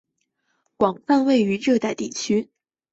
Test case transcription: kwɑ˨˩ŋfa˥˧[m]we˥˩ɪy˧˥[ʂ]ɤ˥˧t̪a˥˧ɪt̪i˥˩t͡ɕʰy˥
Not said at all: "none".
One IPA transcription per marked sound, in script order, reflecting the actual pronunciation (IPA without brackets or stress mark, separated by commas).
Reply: n, ʈ͡ʂ